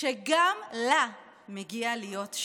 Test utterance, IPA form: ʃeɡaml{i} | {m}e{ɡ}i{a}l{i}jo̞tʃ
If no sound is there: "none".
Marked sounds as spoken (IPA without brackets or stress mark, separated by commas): a, m, ɡ, a, i